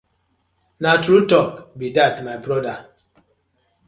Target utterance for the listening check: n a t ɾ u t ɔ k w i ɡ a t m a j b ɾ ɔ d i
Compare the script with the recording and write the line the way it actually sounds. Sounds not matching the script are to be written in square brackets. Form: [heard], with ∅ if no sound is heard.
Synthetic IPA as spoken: n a t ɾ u t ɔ k [b] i [d] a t m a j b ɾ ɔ d [a]